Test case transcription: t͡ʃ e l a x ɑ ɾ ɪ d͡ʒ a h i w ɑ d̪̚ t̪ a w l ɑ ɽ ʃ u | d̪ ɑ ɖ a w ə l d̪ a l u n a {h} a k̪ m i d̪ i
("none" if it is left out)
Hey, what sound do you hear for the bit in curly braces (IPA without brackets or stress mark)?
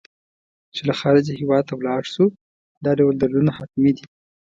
h